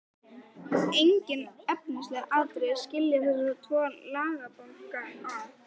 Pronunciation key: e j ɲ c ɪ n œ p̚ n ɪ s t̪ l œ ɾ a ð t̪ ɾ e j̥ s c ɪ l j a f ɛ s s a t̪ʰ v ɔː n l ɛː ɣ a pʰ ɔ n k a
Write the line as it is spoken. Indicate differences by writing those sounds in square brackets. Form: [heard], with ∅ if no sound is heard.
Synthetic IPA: e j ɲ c ɪ n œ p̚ n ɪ s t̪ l [ɛ] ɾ a ð t̪ ɾ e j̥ s c ɪ l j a [θ] ɛ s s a t̪ʰ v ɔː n l [aː] ɣ a [p] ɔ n k a